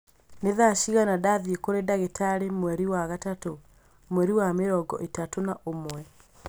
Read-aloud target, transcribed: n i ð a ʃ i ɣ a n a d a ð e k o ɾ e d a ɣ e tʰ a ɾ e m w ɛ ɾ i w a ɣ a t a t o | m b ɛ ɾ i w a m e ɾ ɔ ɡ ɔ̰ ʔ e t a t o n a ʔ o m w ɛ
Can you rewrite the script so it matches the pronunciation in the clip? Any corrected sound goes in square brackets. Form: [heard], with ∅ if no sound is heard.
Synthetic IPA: n [e] ð a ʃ i ɣ a n a d a ð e k o ɾ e d a ɣ e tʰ a ɾ e m w ɛ ɾ i w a ɣ a t a t o | m [w] ɛ ɾ i w a m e ɾ ɔ ɡ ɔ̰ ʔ e t a t o n a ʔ o m w ɛ